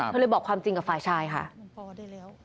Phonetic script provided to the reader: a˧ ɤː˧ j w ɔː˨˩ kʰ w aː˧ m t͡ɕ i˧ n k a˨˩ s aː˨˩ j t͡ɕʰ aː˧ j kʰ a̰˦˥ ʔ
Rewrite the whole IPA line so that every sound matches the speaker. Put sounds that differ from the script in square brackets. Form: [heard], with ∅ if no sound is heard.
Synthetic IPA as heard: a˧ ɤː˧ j [b] ɔː˨˩ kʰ w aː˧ m t͡ɕ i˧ [ŋ] k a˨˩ [f] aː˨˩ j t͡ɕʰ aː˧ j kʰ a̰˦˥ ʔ